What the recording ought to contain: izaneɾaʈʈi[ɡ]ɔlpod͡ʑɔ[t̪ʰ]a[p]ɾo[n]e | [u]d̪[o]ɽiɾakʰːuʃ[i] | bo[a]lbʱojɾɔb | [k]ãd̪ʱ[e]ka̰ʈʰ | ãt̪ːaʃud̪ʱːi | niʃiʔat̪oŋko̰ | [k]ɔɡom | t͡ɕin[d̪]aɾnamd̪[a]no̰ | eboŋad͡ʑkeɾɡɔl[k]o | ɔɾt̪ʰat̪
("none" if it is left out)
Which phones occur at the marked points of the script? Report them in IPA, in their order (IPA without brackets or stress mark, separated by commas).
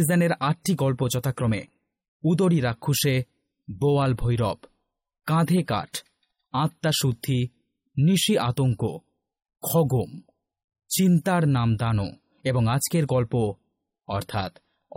ɡ, t̪, k, m, u, o, e, a, k, e, kʰ, t̪, a, p